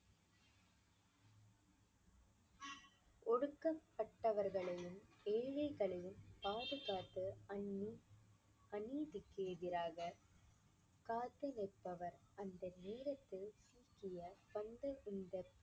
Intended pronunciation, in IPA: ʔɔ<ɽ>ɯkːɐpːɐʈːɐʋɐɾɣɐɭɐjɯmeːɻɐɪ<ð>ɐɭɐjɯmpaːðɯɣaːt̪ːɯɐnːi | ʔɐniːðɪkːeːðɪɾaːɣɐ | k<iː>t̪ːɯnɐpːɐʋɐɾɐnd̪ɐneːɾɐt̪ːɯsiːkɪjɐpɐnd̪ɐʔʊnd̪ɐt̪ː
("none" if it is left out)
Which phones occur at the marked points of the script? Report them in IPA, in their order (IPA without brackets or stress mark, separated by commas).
ɽ, ɣ, aː